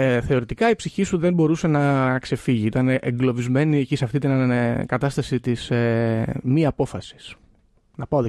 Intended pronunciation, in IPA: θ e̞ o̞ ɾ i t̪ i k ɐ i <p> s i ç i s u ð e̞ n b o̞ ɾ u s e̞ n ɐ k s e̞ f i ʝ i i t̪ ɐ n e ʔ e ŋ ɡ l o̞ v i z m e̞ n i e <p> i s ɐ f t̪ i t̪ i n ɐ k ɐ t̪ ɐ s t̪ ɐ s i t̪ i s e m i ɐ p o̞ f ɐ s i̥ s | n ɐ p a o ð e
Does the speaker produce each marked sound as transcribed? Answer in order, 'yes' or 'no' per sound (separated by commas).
yes, no